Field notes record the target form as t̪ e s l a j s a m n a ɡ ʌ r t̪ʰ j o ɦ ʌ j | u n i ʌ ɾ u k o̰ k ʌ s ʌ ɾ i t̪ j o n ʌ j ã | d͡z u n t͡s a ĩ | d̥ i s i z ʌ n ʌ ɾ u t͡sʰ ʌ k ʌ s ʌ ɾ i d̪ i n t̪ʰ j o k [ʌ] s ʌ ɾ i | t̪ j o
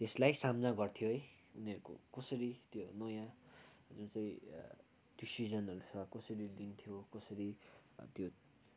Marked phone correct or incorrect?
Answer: correct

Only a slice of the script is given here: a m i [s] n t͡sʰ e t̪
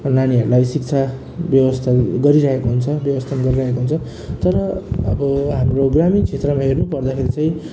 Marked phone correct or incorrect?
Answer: incorrect: none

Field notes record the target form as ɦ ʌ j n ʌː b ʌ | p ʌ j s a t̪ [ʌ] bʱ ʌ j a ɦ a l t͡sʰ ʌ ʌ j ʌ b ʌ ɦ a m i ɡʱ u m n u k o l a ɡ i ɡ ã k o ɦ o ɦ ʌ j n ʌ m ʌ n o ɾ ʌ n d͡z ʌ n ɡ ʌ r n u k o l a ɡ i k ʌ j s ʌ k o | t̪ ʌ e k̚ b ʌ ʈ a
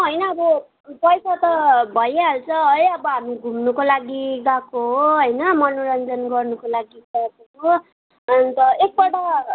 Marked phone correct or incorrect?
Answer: correct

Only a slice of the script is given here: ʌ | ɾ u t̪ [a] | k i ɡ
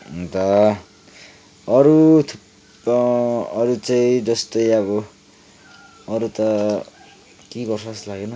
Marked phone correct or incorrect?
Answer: incorrect: ʌ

